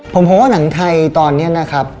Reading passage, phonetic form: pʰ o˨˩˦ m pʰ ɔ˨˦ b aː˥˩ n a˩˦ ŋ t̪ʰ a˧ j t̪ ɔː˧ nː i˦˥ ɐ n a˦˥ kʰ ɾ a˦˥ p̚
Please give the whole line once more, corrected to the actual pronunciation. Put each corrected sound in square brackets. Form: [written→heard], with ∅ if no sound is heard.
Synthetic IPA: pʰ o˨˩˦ m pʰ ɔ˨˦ [b→w] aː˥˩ n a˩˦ ŋ t̪ʰ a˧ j t̪ ɔː˧ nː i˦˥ ɐ n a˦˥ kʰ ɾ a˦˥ p̚